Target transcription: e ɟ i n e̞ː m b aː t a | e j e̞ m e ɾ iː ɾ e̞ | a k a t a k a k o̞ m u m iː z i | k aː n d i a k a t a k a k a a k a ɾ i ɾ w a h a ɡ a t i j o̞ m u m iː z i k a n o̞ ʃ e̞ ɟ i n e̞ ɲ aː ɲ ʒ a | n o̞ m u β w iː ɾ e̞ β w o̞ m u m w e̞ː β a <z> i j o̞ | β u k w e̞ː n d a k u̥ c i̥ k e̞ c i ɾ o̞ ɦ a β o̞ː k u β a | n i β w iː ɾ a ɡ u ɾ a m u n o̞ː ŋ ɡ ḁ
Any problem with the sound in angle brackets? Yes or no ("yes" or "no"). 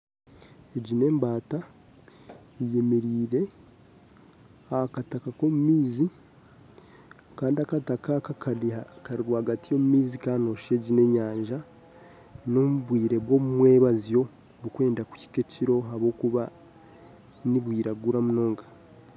no